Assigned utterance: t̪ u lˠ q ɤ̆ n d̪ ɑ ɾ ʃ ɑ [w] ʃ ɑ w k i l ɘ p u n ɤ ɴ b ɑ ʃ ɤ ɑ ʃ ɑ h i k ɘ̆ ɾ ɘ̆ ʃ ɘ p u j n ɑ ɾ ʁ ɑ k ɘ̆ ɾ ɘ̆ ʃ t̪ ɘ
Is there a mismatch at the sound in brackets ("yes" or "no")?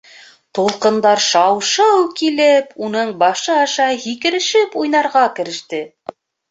no